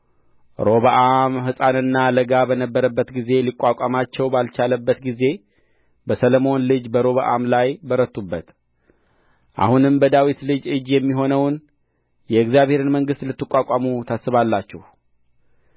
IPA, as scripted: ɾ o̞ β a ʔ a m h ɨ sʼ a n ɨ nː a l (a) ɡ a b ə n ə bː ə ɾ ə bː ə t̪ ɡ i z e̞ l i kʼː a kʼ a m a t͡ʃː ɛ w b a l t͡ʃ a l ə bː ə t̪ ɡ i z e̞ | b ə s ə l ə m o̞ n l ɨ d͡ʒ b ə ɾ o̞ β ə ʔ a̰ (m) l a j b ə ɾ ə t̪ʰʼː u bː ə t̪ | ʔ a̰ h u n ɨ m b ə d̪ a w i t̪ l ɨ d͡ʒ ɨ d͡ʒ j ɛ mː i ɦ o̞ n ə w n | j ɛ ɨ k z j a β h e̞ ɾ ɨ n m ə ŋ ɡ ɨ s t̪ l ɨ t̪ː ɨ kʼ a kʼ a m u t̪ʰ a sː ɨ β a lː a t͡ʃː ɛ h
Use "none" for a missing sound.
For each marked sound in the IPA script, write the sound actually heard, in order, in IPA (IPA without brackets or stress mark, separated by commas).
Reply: ə, m